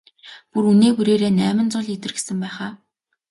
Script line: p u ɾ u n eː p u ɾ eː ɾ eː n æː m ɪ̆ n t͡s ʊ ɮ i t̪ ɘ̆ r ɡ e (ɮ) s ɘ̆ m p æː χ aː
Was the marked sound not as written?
yes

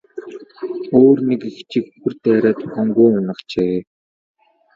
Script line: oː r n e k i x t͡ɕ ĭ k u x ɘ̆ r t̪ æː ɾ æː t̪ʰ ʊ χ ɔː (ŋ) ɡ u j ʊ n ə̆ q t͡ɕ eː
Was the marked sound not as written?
no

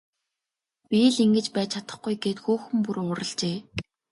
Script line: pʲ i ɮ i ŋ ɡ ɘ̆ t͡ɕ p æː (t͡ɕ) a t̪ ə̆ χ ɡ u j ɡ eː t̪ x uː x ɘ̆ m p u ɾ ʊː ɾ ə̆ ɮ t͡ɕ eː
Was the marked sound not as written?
yes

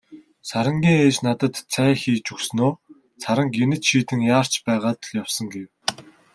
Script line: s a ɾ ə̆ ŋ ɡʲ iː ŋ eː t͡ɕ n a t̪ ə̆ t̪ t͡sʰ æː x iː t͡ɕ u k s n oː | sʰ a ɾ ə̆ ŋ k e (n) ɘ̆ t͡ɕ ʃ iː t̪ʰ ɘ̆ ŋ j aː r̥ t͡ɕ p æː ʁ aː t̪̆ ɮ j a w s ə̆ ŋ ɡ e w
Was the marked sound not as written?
no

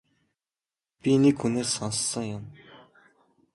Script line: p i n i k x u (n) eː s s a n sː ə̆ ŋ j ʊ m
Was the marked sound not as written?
no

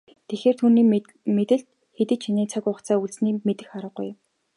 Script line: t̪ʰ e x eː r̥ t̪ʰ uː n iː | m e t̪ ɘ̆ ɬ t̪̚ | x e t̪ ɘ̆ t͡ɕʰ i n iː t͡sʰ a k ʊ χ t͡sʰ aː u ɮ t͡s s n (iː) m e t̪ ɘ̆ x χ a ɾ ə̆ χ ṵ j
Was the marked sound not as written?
no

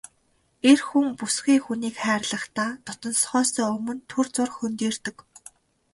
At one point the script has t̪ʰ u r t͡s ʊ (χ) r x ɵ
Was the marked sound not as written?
yes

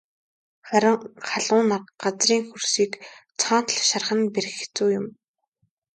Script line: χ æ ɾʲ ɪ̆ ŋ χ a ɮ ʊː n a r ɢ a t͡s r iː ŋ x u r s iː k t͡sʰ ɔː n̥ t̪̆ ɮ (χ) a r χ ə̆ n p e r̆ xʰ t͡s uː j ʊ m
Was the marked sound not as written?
yes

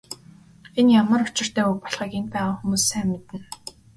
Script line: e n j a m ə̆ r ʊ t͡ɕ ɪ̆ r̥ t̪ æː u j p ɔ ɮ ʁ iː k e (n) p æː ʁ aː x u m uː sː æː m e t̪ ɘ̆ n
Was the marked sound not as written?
no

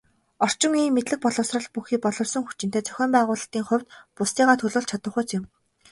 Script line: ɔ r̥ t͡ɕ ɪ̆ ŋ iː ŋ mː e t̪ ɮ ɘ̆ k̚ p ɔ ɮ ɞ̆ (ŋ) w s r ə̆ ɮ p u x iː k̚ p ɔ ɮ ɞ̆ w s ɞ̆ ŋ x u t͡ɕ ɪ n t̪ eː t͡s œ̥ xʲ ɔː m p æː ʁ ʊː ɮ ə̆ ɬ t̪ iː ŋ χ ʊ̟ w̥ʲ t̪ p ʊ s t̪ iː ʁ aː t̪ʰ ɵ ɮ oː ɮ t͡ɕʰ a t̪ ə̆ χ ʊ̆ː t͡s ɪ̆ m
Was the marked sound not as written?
yes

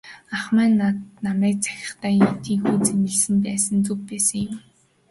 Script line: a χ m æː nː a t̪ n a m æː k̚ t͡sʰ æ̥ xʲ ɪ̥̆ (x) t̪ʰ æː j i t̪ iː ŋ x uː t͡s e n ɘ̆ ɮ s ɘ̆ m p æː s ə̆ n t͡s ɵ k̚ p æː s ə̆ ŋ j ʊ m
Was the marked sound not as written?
yes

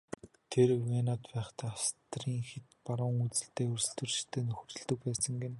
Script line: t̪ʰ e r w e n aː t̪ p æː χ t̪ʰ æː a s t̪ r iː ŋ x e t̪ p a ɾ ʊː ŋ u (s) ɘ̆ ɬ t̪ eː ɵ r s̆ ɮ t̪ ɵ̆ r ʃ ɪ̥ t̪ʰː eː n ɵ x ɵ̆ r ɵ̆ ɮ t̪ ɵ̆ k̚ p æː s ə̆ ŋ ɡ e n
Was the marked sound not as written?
yes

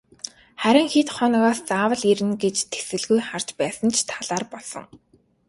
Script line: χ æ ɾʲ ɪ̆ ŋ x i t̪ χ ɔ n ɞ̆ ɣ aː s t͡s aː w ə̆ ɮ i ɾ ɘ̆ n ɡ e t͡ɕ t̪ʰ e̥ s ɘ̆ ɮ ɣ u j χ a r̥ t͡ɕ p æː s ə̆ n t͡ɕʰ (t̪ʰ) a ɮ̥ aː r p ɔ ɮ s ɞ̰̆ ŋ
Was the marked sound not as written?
no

